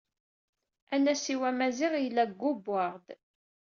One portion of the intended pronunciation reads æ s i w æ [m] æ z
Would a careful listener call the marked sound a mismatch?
no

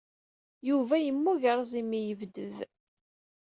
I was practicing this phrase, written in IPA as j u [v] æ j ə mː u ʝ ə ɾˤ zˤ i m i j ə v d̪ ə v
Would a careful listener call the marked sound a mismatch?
no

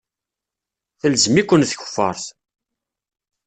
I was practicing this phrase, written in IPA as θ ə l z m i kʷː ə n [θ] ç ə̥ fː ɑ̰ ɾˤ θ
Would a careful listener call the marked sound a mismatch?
no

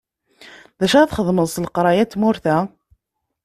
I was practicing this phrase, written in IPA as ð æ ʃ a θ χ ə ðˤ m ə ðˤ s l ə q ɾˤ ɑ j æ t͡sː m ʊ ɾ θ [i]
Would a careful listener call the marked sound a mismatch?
yes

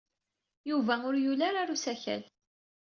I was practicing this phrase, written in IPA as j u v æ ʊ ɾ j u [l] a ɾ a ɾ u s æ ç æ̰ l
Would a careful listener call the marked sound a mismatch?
no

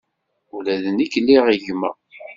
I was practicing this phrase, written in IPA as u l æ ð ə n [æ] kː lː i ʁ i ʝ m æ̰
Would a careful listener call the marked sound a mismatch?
yes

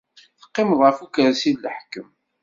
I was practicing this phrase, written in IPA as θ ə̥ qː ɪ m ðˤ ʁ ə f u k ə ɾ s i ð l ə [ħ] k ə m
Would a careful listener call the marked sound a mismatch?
no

